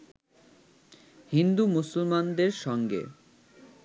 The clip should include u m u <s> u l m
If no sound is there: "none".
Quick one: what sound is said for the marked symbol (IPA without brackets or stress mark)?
s